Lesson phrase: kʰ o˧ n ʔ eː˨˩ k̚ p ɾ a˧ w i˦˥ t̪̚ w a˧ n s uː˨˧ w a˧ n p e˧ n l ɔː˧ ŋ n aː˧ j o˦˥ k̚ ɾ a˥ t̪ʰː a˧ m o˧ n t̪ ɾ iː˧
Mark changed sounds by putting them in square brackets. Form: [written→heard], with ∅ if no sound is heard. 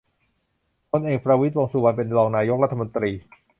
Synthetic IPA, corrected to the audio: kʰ o˧ n ʔ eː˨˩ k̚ p ɾ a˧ w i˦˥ t̪̚ w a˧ [n→ŋ] s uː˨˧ w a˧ n p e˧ n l ɔː˧ ŋ n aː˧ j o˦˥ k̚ ɾ a˥ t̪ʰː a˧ m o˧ n t̪ ɾ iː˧